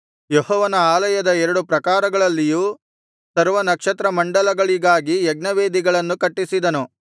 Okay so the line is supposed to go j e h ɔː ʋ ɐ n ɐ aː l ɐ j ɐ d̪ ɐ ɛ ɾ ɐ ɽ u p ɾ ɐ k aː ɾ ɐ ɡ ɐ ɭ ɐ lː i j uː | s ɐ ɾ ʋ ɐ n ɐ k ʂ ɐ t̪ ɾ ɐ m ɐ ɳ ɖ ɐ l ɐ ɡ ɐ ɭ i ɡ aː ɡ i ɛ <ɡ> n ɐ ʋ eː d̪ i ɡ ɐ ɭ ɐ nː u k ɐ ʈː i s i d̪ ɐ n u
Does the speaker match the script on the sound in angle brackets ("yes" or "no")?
yes